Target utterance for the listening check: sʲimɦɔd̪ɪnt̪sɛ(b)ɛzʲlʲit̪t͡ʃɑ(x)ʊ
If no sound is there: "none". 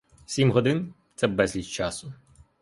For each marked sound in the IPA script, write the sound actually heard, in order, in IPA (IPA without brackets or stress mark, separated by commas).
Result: b, s